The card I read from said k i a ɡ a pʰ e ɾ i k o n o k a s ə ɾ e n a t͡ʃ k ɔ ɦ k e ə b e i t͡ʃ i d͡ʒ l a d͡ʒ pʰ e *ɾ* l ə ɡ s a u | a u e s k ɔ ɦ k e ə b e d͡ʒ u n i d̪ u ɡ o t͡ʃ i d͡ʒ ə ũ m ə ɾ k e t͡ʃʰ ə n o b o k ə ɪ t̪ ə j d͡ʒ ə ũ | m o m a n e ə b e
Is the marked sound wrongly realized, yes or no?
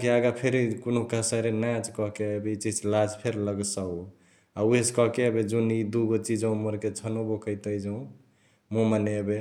no